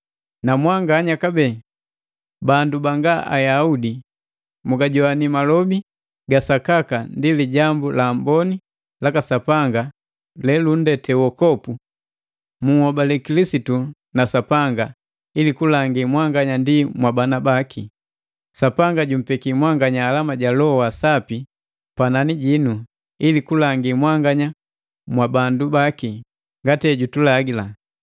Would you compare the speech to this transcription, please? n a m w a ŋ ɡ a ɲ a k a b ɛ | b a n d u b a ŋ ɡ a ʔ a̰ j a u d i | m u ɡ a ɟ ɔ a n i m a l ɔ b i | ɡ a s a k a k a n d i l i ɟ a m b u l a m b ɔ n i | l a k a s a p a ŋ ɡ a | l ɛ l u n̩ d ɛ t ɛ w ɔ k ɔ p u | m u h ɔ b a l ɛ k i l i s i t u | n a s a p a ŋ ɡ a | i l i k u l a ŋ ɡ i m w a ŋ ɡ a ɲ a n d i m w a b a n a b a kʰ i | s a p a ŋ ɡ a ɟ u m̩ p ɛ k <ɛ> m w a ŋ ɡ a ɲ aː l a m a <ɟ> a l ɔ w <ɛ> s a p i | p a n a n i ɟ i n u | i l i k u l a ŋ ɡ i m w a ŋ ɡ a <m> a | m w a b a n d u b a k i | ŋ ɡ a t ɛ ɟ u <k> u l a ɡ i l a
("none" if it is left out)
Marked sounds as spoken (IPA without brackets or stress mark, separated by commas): i, ɟ, a, ɲ, t